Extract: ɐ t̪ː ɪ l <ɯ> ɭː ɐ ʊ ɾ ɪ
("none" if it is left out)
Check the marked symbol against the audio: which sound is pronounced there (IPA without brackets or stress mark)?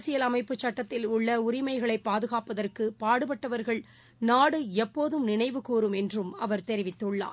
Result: ʊ